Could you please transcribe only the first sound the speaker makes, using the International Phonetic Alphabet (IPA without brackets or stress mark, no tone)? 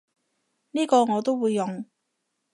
n